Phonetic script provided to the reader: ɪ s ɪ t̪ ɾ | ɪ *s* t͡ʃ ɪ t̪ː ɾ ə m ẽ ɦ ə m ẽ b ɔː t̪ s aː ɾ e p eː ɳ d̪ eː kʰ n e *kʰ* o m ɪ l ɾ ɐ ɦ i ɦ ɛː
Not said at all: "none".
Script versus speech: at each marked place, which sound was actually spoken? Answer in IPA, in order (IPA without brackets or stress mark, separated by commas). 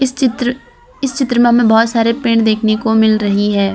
s, k